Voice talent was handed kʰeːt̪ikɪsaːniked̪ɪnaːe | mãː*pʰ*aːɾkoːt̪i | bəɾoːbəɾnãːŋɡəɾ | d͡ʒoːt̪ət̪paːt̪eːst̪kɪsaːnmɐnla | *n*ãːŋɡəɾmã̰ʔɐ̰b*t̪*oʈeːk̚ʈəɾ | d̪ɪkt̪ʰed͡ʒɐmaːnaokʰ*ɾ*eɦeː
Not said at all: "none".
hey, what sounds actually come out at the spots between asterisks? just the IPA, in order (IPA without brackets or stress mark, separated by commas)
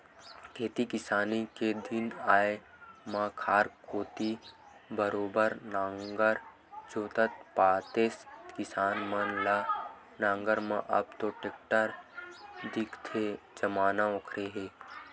kʰ, n, t̪, ɾ